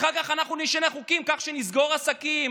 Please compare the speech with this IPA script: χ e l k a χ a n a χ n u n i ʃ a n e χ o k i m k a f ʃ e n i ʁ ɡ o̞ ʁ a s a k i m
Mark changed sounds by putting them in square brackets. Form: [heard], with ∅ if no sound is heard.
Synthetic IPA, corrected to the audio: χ [a] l k a χ a n a χ n u n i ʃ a n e χ [u] k i m k a [χ] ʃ e n i [z] ɡ o̞ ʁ a s a k i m